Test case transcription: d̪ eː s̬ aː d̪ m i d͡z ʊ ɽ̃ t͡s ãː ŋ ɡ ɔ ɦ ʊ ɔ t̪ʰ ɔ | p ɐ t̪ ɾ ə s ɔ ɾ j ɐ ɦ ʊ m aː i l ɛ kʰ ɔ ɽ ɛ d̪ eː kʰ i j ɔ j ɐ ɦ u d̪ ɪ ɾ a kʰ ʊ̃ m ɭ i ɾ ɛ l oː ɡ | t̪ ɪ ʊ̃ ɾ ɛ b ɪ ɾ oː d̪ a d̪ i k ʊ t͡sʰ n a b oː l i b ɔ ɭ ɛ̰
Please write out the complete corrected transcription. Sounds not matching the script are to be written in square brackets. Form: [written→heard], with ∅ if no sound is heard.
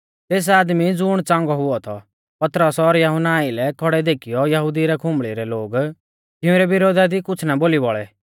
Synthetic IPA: [d̪→t̪] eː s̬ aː d̪ m i d͡z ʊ ɽ̃ t͡s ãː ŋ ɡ ɔ ɦ ʊ ɔ t̪ʰ ɔ | p ɐ t̪ ɾ ə s ɔ ɾ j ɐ ɦ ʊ [m→n] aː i l ɛ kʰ ɔ ɽ ɛ d̪ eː kʰ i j ɔ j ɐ ɦ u d̪ [ɪ→i] ɾ [a→ɛ] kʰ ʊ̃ m ɭ i ɾ ɛ l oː ɡ | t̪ ɪ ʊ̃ ɾ ɛ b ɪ ɾ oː d̪ a d̪ i k ʊ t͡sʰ n a b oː l i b ɔ ɭ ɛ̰